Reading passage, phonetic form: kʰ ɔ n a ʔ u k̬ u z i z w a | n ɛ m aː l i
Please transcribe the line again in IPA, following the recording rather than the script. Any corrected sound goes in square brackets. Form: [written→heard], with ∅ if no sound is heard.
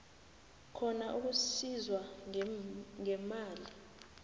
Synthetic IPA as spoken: kʰ ɔ n a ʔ u k̬ u [z→s] i z w a | [n→ŋ] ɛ m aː l i